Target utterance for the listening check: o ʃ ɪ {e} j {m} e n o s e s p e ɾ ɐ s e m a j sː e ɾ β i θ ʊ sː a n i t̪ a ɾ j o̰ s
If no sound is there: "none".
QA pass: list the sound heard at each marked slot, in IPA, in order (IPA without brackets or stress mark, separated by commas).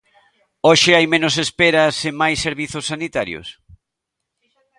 a, m